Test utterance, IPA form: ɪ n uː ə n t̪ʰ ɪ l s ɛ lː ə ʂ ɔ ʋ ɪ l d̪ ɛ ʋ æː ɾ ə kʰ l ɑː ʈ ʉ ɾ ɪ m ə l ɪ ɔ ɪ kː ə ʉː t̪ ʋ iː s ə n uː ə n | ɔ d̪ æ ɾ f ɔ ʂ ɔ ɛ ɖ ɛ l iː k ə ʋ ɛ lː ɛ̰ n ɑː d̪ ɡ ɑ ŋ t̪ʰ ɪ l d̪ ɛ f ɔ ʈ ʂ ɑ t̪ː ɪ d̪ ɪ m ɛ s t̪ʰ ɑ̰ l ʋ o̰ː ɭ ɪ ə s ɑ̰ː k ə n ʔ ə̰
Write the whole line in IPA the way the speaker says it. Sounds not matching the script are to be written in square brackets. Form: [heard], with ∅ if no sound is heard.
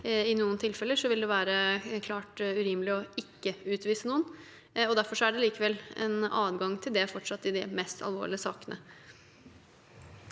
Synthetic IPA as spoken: ɪ n uː ə n t̪ʰ ɪ l [f] ɛ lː ə ʂ ɔ ʋ ɪ l d̪ ɛ ʋ æː ɾ ə kʰ l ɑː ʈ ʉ ɾ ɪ m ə l ɪ ɔ ɪ kː ə ʉː t̪ ʋ iː s ə n uː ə n | ɔ d̪ æ ɾ f ɔ ʂ ɔ [æ] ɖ ɛ l iː k ə ʋ ɛ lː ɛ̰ n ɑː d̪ ɡ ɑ ŋ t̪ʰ ɪ l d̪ ɛ f ɔ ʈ ʂ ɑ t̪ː ɪ d̪ ɪ m ɛ s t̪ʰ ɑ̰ l ʋ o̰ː ɭ ɪ ə s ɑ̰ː k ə n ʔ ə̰